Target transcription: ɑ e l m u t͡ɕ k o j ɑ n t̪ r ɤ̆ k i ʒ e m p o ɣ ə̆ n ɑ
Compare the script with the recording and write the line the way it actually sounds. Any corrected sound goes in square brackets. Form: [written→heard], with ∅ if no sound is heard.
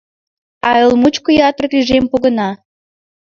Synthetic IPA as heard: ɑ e l m u t͡ɕ k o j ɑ [n→∅] t̪ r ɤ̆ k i ʒ e m p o ɣ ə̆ n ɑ